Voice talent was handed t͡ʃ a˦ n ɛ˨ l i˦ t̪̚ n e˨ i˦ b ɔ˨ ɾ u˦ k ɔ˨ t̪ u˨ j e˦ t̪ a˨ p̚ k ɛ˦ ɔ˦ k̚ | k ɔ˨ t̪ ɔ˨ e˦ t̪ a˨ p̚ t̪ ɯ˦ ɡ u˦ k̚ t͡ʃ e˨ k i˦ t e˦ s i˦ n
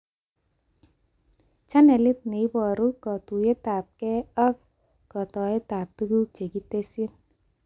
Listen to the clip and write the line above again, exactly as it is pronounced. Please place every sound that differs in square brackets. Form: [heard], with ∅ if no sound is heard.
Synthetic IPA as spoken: t͡ʃ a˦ n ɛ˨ l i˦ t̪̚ n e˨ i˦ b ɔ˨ ɾ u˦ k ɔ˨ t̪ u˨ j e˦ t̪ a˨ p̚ k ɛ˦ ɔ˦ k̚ | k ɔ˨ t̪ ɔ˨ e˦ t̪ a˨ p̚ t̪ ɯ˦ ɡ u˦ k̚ t͡ʃ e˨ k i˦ t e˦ s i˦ n